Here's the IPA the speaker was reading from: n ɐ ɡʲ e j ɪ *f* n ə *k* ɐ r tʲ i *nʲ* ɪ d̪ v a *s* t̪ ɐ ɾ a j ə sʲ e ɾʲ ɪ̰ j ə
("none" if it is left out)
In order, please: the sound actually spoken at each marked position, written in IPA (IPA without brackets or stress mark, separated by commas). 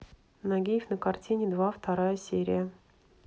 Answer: f, k, nʲ, f